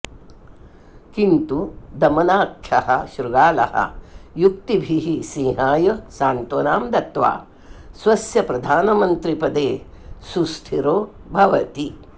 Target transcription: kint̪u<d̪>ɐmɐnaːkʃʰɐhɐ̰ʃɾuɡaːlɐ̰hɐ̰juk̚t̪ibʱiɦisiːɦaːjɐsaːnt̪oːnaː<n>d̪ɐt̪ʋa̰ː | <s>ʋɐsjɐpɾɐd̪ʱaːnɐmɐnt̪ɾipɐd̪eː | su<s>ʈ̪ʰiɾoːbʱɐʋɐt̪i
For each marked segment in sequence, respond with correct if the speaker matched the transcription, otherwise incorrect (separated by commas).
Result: correct, incorrect, correct, correct